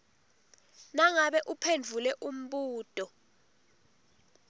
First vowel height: low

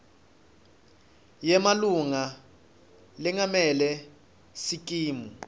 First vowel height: mid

